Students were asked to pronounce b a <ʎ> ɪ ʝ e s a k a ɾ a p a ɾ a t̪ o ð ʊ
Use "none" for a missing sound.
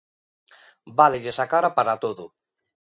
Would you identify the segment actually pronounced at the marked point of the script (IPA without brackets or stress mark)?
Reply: l